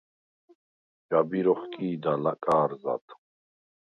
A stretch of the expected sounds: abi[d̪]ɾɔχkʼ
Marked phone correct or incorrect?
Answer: incorrect